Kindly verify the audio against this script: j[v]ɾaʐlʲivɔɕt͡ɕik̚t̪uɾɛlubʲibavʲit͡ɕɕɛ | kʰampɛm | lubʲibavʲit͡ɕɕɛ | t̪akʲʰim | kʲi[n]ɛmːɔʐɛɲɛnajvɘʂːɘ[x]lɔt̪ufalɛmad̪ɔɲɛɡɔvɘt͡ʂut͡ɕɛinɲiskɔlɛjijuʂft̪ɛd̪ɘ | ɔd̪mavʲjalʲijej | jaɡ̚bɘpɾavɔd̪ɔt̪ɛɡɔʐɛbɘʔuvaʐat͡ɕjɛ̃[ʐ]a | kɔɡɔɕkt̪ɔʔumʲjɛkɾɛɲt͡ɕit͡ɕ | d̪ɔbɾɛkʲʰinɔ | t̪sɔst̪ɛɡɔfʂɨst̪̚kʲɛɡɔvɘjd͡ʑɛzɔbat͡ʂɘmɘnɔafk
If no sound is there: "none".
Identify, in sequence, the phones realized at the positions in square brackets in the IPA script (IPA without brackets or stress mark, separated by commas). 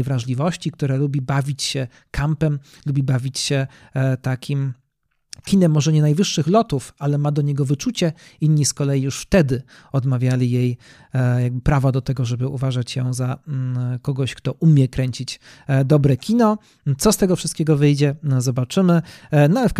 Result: v, n, x, z